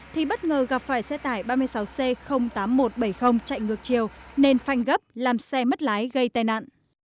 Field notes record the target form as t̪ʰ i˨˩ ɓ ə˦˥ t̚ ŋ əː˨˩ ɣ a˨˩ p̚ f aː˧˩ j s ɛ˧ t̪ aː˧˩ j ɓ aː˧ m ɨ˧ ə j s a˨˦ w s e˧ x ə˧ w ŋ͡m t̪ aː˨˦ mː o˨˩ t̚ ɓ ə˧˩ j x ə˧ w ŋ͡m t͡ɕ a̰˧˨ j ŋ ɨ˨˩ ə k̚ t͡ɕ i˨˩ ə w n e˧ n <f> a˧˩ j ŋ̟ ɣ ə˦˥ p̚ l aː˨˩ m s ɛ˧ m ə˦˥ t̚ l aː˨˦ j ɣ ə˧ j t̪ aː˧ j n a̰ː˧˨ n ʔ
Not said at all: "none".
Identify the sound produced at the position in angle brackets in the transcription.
f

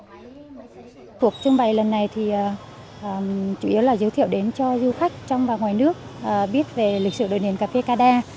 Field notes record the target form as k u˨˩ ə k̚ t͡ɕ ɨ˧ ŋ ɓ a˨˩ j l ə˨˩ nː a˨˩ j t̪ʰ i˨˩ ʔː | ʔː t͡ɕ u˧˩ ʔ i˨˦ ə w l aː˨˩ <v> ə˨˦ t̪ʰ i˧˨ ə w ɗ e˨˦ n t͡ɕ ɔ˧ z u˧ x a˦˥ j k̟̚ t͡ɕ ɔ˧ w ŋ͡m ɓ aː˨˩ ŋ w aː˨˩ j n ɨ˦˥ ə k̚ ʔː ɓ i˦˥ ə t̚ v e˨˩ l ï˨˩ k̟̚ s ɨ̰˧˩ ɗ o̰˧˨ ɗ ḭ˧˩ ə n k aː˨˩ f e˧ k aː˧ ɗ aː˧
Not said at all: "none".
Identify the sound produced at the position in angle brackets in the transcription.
z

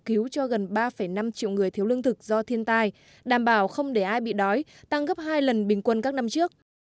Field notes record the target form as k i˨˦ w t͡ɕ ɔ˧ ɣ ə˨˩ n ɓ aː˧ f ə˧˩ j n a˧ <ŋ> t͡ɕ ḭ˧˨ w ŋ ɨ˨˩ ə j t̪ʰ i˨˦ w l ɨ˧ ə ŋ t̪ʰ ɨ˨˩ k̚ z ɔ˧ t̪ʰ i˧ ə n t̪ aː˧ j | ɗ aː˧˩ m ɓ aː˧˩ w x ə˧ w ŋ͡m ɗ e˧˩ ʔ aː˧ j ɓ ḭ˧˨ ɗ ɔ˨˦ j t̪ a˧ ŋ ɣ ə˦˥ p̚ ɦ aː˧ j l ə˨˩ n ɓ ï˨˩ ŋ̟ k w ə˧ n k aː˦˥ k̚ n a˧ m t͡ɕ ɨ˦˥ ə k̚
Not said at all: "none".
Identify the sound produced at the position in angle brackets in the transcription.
m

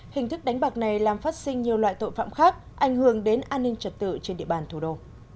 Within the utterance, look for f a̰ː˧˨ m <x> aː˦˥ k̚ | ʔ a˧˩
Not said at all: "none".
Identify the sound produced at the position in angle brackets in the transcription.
x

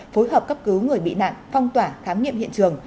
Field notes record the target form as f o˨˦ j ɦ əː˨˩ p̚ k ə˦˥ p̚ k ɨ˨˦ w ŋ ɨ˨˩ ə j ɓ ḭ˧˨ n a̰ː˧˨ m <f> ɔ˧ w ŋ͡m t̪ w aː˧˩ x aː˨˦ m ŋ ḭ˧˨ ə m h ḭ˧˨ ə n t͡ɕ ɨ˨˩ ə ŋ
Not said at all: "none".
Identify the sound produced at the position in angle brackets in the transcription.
f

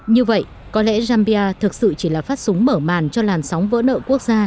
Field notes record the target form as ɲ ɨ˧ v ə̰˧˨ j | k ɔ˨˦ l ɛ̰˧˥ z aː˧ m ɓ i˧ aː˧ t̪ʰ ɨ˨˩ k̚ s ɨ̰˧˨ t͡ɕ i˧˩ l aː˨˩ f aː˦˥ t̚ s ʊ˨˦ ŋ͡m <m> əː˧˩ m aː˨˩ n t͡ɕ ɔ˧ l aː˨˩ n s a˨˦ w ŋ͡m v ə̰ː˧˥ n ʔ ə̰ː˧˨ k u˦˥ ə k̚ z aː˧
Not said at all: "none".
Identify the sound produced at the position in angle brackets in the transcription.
m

